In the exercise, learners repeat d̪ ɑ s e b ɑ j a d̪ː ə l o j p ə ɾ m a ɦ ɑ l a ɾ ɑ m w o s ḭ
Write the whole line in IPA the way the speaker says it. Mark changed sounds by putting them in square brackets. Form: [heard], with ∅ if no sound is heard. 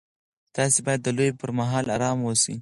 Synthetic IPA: [t̪] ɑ s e b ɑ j a d̪ː ə l o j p ə ɾ m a ɦ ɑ l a ɾ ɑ m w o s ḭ